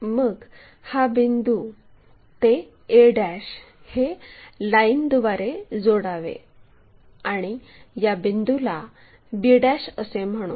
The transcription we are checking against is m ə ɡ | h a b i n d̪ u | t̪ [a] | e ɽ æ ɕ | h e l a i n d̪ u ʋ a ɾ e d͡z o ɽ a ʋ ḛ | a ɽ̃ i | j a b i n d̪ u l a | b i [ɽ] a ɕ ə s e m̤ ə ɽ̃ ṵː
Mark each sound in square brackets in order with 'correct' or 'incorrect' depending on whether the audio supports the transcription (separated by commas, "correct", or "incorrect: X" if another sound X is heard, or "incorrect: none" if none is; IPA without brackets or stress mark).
incorrect: e, correct